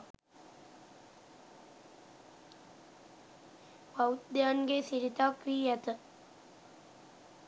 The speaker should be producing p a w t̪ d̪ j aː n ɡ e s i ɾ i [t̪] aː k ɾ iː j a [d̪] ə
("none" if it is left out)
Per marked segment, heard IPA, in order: t̪, t̪

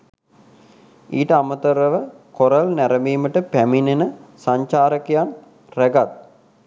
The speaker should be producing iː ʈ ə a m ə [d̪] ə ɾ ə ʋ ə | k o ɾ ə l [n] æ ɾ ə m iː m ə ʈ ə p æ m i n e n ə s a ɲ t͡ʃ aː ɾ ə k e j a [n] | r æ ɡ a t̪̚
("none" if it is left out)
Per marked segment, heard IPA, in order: t̪, n, n

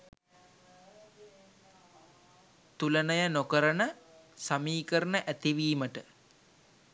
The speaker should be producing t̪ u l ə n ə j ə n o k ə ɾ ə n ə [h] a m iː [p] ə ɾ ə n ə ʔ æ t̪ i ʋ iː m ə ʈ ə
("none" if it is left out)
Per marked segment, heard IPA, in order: s, k

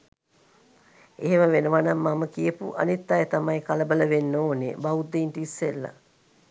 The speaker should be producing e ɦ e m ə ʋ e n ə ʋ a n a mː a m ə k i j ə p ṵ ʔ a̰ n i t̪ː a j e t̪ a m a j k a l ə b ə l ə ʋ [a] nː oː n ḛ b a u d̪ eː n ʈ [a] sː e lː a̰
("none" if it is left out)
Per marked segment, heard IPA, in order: e, i

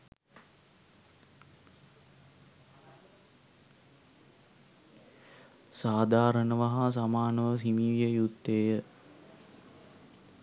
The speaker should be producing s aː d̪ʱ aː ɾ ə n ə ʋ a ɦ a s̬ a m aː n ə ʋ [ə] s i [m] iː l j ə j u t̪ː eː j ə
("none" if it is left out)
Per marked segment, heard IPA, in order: ə, m

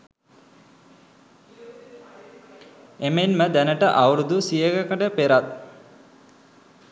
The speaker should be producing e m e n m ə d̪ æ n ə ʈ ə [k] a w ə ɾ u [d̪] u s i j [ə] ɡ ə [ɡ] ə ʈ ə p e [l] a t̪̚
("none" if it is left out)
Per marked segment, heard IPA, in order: ʔ, d̪, ə, k, ɾ

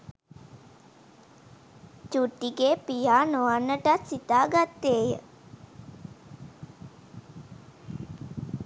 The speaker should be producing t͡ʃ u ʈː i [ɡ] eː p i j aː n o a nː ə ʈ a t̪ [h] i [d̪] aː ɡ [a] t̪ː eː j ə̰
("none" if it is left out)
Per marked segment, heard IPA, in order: ɡ, s, t̪, a

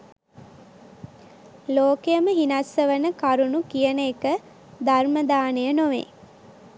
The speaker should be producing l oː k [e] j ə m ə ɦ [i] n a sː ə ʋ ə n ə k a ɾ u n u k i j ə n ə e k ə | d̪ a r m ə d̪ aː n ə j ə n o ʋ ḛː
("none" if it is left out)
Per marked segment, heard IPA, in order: e, i

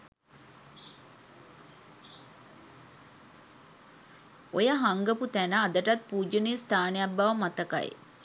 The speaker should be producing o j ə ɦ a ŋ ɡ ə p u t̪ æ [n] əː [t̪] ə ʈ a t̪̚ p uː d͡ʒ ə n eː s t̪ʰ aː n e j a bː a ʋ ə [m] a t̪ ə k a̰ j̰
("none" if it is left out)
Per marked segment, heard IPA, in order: n, d̪, m

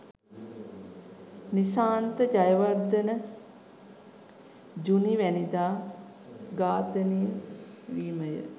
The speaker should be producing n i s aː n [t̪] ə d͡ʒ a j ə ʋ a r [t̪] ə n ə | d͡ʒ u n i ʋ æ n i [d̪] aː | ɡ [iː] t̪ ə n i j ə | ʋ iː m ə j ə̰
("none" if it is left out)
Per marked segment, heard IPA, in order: t̪, d̪, d̪, aː

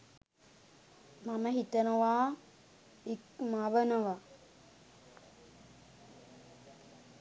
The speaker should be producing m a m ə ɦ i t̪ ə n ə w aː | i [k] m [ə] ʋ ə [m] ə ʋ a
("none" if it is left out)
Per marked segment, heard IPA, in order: k, a, n

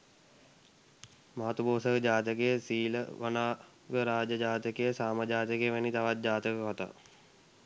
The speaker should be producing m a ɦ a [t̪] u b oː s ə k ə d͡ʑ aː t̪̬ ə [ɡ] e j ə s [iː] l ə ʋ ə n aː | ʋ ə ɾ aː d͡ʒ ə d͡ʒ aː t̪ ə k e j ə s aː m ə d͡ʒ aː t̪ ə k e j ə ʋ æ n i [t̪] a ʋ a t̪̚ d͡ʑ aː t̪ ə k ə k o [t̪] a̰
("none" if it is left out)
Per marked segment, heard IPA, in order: t̪, k, iː, t̪, t̪

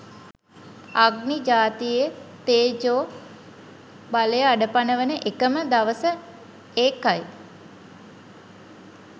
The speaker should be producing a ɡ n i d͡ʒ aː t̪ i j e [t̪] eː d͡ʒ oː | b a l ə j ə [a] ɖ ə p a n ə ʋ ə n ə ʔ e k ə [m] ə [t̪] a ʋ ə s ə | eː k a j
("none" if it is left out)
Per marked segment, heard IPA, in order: t̪, a, m, d̪

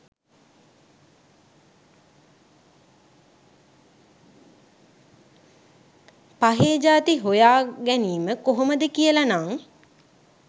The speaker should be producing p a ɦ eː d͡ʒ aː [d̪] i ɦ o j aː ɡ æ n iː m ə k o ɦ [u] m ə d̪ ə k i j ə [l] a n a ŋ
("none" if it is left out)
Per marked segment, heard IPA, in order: t̪, o, l

